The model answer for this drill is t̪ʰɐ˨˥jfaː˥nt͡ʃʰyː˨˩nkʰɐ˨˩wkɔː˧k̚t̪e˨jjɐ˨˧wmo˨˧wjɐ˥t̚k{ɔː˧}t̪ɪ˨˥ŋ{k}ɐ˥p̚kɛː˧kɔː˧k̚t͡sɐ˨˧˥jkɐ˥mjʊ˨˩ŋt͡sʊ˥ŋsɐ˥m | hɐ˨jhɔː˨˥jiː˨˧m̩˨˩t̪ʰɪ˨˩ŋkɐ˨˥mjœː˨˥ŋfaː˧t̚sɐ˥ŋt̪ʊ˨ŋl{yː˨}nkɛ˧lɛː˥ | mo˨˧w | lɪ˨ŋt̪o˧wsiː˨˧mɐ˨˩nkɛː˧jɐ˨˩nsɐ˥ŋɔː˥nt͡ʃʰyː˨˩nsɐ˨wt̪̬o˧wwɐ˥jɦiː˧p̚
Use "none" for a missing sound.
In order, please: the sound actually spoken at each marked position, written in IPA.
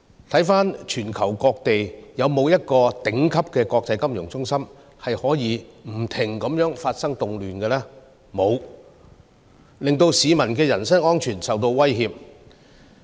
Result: ɔː˧, kʰ, yː˨

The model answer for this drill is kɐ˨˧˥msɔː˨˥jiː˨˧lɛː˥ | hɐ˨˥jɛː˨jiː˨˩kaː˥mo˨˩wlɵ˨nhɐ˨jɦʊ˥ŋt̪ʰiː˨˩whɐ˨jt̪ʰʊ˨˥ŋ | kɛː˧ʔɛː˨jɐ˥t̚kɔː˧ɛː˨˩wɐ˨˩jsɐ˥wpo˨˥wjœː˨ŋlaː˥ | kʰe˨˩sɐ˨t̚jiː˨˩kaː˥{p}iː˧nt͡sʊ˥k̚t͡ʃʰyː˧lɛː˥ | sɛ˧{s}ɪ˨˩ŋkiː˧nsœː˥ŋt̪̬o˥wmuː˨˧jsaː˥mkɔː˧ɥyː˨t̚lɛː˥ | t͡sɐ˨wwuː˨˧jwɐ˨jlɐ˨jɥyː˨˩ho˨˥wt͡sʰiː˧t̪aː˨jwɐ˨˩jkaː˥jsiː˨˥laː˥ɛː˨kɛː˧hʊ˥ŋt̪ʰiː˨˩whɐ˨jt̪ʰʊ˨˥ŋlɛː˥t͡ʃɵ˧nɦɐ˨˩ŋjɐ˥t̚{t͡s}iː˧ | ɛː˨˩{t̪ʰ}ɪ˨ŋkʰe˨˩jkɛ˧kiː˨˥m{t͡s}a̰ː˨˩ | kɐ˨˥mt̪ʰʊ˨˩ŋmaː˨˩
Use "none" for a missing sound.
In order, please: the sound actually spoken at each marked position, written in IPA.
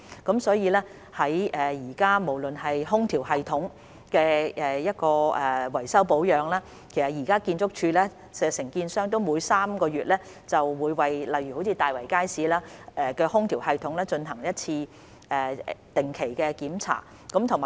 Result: k, s, t͡sʰ, t̪, t͡sʰ

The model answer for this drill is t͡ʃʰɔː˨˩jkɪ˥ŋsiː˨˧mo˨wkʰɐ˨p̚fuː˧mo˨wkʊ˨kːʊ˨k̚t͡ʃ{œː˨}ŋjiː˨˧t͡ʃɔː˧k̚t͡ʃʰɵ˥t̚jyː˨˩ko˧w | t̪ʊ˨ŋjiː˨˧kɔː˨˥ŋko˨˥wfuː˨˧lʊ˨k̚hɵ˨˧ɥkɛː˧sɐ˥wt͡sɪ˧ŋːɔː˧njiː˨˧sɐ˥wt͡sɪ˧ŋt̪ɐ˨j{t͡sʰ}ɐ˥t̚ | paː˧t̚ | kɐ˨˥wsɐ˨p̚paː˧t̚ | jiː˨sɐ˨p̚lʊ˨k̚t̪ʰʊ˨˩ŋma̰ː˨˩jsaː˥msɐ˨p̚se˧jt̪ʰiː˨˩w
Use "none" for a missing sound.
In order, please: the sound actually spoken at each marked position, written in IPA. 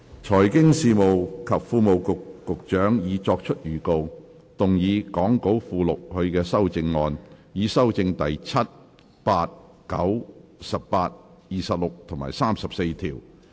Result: œː˨˥, t͡sʰ

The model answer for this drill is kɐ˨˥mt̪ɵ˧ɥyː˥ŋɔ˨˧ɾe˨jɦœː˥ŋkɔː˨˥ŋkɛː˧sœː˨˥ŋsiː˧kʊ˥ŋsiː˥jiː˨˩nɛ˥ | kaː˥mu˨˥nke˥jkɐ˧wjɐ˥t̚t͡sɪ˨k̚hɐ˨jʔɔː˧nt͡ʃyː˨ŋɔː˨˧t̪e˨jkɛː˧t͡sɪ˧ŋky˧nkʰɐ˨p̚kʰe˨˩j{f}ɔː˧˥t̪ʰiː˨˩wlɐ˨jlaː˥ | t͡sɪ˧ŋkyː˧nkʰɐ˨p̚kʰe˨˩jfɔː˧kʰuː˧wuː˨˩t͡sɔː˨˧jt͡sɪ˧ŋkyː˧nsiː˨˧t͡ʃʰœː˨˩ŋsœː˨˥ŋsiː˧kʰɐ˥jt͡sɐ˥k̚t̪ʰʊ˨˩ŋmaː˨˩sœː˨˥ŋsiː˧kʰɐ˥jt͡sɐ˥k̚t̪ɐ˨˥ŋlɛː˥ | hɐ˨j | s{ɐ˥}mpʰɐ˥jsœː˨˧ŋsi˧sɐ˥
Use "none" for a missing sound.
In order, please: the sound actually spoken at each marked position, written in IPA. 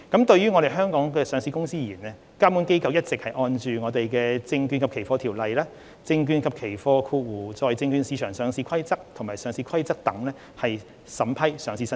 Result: f, ɐ˨˥

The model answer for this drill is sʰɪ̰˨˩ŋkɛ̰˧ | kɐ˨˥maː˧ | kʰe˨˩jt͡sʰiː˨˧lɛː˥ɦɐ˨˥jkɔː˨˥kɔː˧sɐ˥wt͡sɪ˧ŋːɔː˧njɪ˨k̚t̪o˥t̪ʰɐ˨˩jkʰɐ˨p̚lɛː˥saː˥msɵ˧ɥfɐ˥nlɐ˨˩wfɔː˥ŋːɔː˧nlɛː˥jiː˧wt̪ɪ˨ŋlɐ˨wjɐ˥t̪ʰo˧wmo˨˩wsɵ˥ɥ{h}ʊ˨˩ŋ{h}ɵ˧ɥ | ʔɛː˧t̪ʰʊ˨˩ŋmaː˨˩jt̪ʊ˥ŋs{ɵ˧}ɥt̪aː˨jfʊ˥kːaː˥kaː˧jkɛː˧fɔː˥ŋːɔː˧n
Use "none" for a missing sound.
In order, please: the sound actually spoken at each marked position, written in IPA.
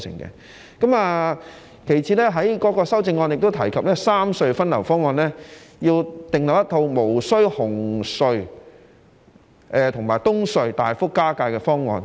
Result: h, s, ɵ˧

